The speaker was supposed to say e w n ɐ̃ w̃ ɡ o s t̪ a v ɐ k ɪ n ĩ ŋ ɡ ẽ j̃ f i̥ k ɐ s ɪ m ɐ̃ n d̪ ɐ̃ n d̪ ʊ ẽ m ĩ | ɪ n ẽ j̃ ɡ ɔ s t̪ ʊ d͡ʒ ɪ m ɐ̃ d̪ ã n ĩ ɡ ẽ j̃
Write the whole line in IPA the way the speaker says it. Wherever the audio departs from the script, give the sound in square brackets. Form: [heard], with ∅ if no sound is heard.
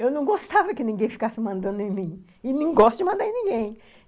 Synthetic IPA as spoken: e w n ɐ̃ w̃ ɡ o s t̪ a v ɐ k ɪ n ĩ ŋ ɡ ẽ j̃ f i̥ k [a] s ɪ m ɐ̃ n d̪ ɐ̃ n d̪ ʊ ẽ m ĩ | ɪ n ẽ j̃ ɡ ɔ s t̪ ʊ d͡ʒ ɪ m ɐ̃ d̪ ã n ĩ ɡ ẽ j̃